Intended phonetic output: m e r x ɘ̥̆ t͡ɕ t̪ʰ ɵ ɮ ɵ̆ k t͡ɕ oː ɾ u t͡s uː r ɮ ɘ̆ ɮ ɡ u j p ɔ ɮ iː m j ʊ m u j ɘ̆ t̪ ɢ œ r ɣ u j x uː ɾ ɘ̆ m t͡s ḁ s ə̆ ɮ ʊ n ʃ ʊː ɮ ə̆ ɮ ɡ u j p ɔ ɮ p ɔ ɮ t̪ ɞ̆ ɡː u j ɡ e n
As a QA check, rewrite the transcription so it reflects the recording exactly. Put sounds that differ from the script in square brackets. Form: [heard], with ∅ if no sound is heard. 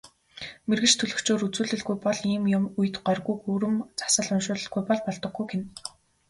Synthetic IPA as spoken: m e r [ɣ] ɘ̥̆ t͡ɕ t̪ʰ ɵ ɮ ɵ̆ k t͡ɕ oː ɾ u t͡s uː [∅] ɮ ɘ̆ ɮ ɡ u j p ɔ ɮ iː m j ʊ m u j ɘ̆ t̪ ɢ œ r ɣ u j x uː ɾ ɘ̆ m t͡s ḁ s ə̆ ɮ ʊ n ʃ ʊː ɮ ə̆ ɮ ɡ u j p ɔ ɮ p ɔ ɮ t̪ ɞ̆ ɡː u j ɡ e n